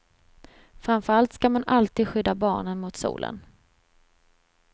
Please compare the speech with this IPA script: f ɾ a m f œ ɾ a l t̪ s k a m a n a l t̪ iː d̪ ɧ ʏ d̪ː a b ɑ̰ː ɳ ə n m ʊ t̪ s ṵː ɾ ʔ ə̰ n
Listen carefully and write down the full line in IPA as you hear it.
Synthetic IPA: f ɾ a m f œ ɾ a l t̪ s k a m a n a l t̪ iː d̪ ɧ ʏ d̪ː a b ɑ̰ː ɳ ə n m ʊ t̪ s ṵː l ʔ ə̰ n